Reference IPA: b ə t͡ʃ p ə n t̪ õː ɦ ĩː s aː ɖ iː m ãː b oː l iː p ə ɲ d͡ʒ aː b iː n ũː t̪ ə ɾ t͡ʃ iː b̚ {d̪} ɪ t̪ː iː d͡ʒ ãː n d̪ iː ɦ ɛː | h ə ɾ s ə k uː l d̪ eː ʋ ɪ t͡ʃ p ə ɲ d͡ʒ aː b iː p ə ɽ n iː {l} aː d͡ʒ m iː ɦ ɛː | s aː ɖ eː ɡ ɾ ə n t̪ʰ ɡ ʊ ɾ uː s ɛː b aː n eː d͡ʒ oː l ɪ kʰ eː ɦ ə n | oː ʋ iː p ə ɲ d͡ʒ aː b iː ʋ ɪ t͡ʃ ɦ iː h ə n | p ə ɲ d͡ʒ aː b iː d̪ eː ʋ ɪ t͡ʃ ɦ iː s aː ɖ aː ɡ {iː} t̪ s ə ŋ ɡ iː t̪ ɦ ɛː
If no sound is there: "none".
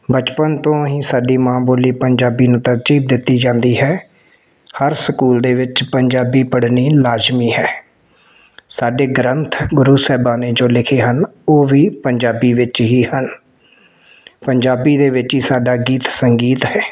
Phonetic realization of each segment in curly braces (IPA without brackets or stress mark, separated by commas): d̪, l, iː